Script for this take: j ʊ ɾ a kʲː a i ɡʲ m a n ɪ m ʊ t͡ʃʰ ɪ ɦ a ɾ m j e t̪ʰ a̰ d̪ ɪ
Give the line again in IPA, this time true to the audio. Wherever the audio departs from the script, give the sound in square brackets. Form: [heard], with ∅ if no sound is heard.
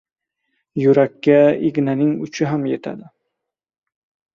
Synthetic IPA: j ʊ ɾ a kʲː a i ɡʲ [n] a n ɪ [ŋ] ʊ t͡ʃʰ ɪ ɦ a [∅] m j e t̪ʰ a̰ d̪ ɪ